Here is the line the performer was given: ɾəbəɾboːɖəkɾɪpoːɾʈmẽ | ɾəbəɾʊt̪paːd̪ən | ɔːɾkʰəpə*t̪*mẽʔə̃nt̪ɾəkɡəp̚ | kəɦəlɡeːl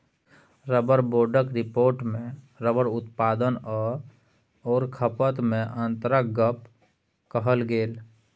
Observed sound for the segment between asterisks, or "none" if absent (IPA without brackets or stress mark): t̪